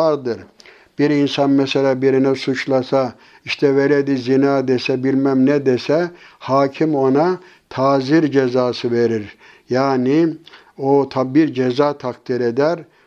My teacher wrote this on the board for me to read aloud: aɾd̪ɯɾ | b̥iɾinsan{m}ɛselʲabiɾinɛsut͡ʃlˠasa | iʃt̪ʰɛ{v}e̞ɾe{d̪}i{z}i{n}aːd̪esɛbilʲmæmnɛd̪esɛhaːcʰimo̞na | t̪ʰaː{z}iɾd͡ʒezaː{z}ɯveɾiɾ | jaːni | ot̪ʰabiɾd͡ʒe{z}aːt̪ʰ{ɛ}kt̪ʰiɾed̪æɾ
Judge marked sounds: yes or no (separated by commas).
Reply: yes, yes, yes, yes, yes, yes, no, yes, no